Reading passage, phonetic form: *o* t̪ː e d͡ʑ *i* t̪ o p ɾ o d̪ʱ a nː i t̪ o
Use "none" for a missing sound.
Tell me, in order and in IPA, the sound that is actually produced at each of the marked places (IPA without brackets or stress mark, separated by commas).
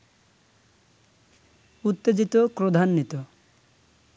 u, i